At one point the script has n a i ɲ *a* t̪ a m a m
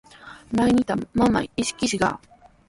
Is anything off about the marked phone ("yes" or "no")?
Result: yes